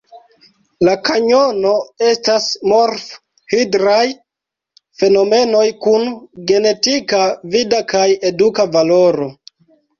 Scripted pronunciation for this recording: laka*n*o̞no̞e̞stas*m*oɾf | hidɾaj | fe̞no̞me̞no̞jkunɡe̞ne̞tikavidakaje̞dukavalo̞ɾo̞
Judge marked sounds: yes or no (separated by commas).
no, yes